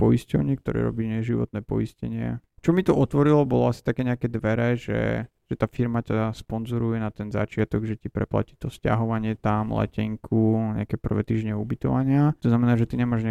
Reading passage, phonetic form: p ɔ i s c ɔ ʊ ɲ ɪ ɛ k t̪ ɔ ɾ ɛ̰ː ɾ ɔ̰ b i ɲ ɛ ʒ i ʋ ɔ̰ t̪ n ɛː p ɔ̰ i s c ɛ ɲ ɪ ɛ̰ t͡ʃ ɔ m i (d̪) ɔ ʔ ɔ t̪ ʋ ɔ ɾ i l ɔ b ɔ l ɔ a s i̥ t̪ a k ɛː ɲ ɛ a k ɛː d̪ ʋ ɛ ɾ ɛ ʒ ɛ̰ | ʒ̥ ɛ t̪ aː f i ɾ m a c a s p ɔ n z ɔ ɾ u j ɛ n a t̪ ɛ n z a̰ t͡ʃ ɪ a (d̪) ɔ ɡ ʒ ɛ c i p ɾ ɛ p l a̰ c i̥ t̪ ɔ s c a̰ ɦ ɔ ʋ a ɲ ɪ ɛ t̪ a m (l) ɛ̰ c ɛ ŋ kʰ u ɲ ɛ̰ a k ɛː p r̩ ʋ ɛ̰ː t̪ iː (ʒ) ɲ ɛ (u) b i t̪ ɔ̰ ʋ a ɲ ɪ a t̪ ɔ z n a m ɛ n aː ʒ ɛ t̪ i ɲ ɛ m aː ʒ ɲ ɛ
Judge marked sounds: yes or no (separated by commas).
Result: no, no, yes, yes, yes